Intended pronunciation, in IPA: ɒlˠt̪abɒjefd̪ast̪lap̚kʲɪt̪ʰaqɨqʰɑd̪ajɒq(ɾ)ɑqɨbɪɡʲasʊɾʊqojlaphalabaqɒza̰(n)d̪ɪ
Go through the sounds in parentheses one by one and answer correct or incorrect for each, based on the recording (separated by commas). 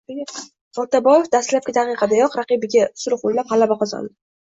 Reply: correct, correct